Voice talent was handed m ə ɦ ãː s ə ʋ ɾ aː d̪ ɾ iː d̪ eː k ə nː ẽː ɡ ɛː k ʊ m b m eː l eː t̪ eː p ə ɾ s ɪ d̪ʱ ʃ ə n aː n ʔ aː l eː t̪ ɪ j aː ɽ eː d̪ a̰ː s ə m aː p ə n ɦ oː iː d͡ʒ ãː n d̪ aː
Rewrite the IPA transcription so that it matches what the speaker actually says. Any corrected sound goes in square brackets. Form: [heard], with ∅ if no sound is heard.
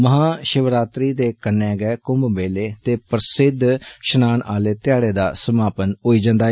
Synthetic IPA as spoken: m ə ɦ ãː [ʃ] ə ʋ ɾ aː [t̪] ɾ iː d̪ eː k ə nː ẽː ɡ ɛː k ʊ m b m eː l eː t̪ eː p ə ɾ s ɪ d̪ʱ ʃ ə n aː n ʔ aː l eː t̪ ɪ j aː ɽ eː d̪ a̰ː s ə m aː p ə n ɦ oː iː d͡ʒ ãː n d̪ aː